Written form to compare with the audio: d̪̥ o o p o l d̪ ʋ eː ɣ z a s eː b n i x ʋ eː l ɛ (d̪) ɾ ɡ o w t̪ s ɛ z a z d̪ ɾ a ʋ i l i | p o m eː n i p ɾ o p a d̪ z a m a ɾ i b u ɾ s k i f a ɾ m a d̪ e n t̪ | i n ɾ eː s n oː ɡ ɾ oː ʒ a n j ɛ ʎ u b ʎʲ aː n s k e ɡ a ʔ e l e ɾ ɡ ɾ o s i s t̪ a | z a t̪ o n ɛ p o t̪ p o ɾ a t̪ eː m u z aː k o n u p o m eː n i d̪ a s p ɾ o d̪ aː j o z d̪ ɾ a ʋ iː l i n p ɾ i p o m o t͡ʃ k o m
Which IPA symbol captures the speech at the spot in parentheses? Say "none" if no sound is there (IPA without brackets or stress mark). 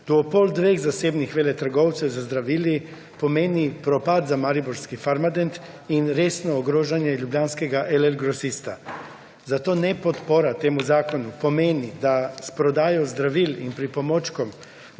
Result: t̪